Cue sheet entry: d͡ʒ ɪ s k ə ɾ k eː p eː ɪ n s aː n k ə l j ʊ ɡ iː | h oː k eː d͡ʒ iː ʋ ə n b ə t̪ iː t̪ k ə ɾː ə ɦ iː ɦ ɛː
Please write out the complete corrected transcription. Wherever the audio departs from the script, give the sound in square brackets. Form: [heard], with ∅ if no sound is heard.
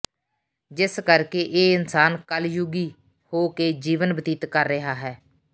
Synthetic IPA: d͡ʒ ɪ s k ə ɾ k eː [ʔ] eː ɪ n s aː n k ə l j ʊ ɡ iː | h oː k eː d͡ʒ iː ʋ ə n b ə t̪ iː t̪ k ə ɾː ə ɦ [aː] ɦ ɛː

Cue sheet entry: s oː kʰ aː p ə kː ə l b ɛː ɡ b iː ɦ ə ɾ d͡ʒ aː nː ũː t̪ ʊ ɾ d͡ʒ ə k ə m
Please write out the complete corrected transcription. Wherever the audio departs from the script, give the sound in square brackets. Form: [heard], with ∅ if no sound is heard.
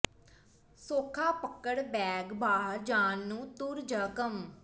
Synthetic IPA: s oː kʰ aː p ə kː ə [ɽ] b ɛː ɡ b [aː] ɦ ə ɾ d͡ʒ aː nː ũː t̪ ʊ ɾ d͡ʒ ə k ə m

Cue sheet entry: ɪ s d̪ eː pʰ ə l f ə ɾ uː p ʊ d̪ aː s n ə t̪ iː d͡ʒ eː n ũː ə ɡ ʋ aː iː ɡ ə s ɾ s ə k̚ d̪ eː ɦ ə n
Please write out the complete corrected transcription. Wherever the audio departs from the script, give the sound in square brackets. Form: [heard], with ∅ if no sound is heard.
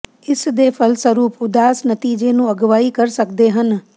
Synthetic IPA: ɪ s d̪ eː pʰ ə l [s] ə ɾ uː p ʊ d̪ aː s n ə t̪ iː d͡ʒ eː n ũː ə ɡ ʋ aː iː [k] ə [∅] ɾ s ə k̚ d̪ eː ɦ ə n

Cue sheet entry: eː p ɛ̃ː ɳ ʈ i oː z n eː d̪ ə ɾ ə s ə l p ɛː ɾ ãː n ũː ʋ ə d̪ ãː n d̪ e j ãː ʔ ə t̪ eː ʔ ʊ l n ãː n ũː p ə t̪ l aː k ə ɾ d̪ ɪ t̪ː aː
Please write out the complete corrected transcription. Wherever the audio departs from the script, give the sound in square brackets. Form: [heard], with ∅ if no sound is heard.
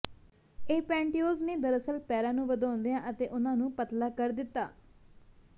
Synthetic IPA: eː p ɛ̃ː ɳ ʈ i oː z n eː d̪ ə ɾ ə s ə l p ɛː ɾ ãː n ũː ʋ ə d̪ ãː n d̪ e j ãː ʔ ə t̪ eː ʔ ʊ [∅] n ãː n ũː p ə t̪ l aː k ə ɾ d̪ ɪ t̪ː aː

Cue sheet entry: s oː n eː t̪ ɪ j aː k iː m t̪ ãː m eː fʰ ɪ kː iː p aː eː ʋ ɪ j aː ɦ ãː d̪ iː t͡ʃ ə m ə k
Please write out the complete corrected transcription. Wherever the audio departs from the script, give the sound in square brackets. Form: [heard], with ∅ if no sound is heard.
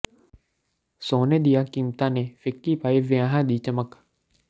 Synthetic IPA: s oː n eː [d̪] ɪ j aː k iː m t̪ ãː [n] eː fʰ ɪ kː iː p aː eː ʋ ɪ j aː ɦ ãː d̪ iː t͡ʃ ə m ə k

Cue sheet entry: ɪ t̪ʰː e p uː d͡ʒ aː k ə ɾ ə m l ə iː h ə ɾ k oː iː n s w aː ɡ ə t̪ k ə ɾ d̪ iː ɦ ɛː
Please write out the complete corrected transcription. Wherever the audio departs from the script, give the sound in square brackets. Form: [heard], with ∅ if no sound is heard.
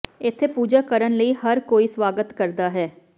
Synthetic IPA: ɪ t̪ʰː e p uː d͡ʒ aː k ə ɾ ə [n] l ə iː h ə ɾ k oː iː [∅] s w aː ɡ ə t̪ k ə ɾ d̪ [aː] ɦ ɛː

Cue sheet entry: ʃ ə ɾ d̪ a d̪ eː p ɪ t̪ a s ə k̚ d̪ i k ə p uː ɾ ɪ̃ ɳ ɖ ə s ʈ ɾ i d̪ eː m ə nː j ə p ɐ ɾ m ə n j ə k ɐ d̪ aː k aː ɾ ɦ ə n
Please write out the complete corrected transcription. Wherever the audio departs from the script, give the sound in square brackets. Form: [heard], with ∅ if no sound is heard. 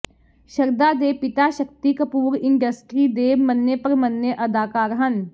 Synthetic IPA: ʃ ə ɾ d̪ a d̪ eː p ɪ t̪ a [ʃ] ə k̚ [t̪] i k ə p uː ɾ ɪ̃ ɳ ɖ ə s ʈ ɾ i d̪ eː m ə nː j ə p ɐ ɾ m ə n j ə [ʔ] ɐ d̪ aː k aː ɾ ɦ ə n

